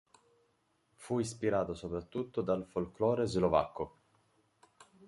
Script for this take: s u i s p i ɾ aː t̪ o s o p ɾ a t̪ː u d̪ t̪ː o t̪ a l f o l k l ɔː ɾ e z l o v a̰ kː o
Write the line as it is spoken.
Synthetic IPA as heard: f u i s p i ɾ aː t̪ o s o p ɾ a t̪ː u t̪ː o d̪ a l f o l k l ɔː ɾ e z l o v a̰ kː o